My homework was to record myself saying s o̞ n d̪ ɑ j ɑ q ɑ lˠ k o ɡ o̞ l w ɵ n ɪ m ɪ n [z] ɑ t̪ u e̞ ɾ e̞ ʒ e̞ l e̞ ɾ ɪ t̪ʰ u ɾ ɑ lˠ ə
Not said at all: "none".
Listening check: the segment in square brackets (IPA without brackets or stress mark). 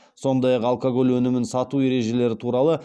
s